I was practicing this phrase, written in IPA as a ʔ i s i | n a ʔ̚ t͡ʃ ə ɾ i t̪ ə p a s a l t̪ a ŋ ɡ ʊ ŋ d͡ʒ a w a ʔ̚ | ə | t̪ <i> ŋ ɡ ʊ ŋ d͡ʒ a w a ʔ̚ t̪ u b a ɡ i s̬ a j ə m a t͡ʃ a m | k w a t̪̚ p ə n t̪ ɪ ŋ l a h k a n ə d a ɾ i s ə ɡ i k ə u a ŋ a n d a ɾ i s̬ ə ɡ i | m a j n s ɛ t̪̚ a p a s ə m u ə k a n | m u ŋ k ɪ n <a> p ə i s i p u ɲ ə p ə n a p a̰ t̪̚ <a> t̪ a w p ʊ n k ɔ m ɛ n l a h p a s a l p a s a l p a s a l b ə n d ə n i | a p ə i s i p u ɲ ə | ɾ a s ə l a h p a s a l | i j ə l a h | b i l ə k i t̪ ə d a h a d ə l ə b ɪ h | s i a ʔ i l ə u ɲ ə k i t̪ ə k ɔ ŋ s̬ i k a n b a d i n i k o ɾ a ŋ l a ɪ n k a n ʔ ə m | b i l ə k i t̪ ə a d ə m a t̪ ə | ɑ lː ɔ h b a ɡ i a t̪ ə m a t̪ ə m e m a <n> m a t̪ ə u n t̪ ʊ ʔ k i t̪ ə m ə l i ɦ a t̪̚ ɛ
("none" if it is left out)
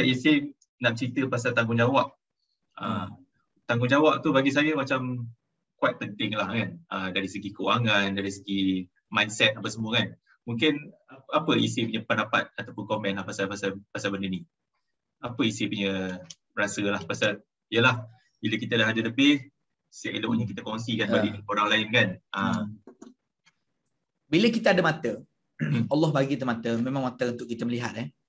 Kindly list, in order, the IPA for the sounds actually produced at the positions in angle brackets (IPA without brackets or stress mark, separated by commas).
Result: a, a, a, ŋ